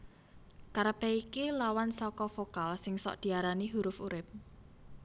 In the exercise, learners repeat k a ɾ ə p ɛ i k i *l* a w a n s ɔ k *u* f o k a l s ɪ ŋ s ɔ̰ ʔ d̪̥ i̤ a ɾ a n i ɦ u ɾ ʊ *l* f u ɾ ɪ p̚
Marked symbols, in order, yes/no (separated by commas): yes, no, no